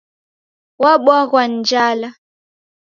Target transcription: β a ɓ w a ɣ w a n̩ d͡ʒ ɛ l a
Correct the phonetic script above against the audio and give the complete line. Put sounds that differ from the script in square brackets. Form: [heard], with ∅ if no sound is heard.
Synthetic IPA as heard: [w] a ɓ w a ɣ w a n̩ d͡ʒ [a] l a